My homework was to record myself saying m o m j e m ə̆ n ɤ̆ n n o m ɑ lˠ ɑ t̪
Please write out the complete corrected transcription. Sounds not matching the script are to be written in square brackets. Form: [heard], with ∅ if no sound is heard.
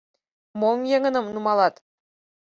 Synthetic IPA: m o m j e [ŋ] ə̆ n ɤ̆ [m] n [u] m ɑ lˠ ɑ t̪